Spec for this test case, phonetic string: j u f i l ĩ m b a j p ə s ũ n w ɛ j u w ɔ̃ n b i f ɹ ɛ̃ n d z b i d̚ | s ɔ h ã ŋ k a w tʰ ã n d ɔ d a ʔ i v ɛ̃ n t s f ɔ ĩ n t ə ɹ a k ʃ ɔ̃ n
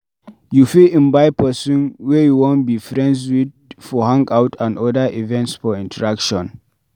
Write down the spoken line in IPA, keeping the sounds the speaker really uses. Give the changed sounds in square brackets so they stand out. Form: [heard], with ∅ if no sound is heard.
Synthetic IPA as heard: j u f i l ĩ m b a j p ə s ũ n w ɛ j u w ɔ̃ n b i f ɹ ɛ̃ n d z [w] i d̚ | [f] ɔ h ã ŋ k a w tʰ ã n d ɔ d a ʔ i v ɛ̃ n t s f ɔ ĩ n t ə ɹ a k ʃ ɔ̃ n